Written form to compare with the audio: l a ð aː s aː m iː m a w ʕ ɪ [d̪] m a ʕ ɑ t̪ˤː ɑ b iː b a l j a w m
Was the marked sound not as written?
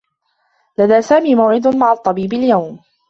no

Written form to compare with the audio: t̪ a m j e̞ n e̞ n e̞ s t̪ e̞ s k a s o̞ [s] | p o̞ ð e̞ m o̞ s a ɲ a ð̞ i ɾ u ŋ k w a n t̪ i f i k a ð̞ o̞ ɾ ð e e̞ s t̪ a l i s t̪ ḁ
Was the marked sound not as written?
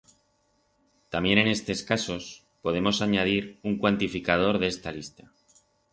no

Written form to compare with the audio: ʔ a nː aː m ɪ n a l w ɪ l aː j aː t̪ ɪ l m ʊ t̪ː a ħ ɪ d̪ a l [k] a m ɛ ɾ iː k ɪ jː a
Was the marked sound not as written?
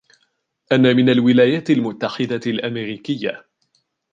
yes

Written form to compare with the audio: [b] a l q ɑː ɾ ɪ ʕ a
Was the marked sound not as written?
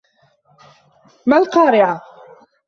yes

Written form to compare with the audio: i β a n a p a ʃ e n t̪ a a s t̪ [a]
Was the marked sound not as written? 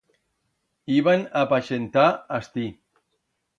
yes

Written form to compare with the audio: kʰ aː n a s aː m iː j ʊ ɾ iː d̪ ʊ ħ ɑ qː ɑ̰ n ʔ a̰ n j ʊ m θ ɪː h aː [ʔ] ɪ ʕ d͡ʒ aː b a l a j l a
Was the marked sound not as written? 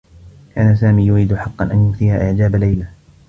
no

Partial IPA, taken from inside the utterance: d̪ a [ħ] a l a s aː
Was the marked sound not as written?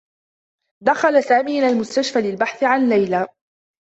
yes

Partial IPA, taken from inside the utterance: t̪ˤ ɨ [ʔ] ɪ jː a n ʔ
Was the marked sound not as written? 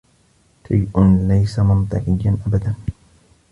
yes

